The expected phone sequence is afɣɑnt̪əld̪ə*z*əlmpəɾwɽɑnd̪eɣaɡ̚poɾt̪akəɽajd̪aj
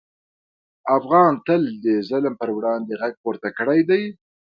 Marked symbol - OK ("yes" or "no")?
yes